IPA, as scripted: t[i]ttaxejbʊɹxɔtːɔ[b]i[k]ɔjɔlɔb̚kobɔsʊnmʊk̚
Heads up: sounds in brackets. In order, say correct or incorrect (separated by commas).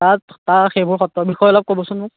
incorrect, correct, incorrect